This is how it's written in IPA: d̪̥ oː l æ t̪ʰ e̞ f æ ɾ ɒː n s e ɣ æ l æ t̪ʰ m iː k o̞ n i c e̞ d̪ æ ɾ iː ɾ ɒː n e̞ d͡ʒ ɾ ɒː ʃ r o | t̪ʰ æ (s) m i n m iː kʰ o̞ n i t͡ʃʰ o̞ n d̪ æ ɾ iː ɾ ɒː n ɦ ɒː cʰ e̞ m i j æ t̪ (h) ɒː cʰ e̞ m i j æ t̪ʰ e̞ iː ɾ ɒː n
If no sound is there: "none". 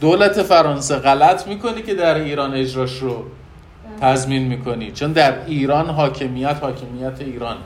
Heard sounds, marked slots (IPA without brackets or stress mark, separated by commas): z, h